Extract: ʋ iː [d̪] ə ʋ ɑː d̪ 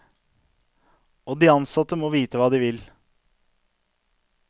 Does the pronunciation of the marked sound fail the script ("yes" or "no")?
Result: yes